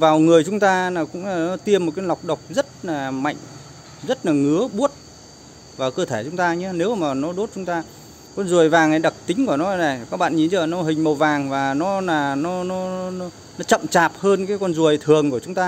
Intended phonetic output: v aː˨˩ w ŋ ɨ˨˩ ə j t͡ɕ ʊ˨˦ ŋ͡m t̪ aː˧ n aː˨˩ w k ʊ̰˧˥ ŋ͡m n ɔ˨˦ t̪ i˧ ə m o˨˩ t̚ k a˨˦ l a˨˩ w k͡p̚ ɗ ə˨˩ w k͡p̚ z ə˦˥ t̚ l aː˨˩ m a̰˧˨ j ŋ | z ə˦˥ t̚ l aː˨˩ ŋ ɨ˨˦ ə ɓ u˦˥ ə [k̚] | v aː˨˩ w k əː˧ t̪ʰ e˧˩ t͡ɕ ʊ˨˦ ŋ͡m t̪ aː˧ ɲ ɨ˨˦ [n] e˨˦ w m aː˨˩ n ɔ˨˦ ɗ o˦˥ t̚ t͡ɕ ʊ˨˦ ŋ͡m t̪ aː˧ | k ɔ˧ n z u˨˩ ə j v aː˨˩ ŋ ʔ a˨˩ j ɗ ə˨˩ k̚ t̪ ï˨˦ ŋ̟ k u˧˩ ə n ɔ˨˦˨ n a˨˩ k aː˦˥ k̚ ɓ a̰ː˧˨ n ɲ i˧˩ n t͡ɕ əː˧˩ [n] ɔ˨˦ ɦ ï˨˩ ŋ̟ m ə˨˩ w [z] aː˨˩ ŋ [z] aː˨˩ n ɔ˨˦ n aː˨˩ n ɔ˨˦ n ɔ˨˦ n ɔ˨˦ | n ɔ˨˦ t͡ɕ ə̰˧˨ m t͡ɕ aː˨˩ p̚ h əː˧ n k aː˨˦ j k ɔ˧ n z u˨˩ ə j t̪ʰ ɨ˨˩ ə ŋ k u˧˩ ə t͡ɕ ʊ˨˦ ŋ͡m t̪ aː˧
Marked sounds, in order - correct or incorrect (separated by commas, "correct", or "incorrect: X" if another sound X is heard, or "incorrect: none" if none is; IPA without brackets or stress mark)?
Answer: incorrect: t̚, correct, correct, incorrect: v, incorrect: v